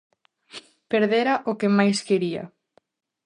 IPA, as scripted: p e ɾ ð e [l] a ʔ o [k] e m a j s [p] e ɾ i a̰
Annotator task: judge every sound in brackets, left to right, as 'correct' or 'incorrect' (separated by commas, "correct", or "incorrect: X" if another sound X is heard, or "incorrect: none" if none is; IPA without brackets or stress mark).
incorrect: ɾ, correct, incorrect: k